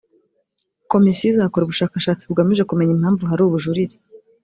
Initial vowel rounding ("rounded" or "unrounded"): rounded